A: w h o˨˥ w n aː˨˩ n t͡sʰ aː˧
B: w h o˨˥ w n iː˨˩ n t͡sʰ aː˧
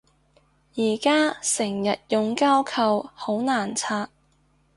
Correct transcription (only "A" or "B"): A